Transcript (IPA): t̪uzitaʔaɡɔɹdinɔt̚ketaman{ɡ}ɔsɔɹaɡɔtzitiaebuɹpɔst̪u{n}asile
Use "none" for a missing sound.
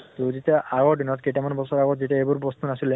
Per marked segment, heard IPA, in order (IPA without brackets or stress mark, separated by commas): b, n